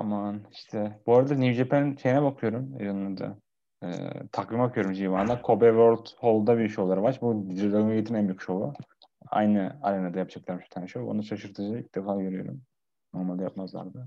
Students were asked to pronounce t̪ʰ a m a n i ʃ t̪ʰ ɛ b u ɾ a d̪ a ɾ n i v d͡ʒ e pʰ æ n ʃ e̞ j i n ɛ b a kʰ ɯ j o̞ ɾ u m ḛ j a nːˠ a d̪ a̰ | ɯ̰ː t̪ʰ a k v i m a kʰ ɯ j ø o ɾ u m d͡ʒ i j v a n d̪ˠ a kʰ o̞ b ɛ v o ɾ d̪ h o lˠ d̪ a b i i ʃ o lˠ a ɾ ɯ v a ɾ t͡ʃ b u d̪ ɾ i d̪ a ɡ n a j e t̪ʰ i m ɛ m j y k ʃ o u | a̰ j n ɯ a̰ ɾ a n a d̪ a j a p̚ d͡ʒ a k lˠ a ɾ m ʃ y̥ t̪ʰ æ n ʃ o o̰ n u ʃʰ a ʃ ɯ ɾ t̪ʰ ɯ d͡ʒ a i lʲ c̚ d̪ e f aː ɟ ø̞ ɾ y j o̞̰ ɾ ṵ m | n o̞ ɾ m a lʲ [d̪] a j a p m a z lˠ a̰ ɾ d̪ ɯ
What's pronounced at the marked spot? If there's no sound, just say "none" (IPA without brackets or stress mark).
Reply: d̪